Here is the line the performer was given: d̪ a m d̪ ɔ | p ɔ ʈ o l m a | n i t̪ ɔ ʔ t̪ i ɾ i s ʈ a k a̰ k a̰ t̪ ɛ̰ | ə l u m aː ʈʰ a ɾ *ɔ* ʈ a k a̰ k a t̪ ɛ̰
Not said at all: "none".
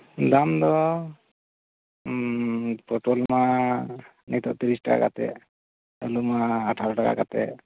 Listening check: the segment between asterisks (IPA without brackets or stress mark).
ɔ